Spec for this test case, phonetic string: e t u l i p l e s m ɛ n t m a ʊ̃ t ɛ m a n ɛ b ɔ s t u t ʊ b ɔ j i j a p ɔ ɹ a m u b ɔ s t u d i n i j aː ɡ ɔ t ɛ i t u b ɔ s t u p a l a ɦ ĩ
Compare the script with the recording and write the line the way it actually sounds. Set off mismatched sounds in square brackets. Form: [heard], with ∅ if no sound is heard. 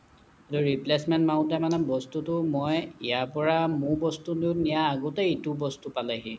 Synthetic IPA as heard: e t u [ɹ] i p l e s m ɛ n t m a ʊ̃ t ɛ m a n ɛ b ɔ s t u t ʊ [m] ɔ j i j a p ɔ ɹ a m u b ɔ s t u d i n i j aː ɡ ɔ t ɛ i t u b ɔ s t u p a l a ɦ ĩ